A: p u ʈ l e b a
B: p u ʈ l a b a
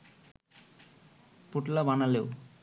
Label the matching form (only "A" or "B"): B